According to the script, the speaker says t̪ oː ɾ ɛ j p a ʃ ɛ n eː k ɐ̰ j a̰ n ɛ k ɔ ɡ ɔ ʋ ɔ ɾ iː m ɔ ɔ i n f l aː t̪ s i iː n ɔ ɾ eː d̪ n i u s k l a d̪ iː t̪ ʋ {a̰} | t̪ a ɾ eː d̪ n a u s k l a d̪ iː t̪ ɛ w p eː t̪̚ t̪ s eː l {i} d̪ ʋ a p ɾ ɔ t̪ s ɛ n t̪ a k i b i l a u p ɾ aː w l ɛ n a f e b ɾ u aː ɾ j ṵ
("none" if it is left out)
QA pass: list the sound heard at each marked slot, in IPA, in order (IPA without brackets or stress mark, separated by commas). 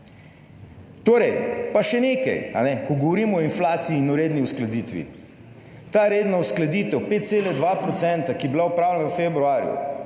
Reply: ḭ, ɛ